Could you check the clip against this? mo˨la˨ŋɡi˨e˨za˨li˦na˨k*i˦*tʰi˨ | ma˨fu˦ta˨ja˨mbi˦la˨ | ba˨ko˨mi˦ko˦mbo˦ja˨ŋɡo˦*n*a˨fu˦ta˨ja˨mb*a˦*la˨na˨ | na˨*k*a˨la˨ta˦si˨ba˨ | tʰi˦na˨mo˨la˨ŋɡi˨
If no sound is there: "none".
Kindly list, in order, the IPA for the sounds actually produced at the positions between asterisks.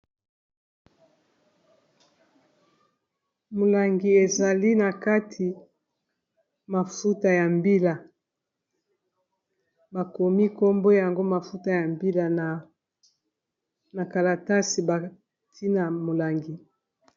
a˦, m, i˦, k

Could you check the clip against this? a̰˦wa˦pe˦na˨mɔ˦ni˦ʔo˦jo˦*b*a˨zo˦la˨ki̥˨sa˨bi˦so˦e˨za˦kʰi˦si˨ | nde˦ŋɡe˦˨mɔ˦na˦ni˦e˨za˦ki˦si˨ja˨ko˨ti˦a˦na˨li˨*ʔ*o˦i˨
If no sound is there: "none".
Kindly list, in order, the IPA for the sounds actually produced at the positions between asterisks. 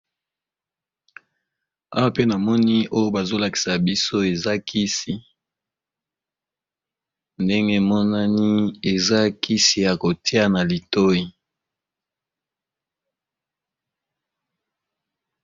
b, t

